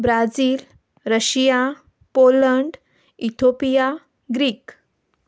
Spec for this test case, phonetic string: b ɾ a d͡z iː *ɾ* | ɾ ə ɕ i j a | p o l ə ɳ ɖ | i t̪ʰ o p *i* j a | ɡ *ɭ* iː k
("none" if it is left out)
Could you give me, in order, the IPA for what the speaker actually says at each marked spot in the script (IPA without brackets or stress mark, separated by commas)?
l, i, ɾ